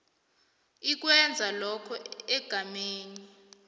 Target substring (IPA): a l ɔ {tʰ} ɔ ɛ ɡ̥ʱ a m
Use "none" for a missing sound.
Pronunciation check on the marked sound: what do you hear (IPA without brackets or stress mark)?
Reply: kʰ